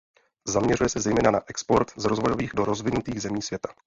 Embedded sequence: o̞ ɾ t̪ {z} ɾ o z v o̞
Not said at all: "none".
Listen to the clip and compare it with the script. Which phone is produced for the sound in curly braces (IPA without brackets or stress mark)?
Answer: z